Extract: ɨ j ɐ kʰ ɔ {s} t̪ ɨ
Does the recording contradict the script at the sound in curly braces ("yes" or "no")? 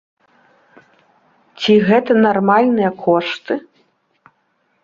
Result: yes